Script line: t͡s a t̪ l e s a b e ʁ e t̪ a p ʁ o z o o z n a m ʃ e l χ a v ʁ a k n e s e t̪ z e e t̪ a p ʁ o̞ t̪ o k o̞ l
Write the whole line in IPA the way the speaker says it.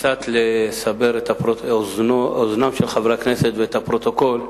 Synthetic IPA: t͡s a t̪ l e s a b e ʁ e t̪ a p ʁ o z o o z n a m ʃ e l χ a v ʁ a k n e s e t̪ v e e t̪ a p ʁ o̞ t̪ o k o̞ l